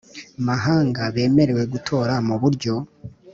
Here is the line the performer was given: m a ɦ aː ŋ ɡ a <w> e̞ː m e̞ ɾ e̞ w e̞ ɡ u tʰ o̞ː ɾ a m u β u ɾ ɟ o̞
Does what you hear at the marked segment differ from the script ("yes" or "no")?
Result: yes